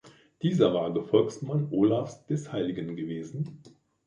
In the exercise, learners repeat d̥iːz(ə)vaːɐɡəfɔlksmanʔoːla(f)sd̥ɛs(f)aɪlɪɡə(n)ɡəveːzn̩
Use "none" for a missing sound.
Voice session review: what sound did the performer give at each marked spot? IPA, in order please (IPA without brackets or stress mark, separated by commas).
ɐ, f, h, n